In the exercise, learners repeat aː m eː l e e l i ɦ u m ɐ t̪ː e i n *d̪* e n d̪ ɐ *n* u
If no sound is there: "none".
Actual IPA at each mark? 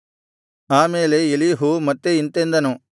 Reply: t̪, n

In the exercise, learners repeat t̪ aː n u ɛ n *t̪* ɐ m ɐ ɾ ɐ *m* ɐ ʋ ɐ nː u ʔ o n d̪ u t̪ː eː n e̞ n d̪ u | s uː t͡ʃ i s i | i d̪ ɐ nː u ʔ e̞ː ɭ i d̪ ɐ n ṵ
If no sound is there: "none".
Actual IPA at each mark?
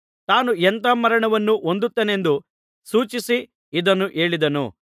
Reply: t̪, ɳ

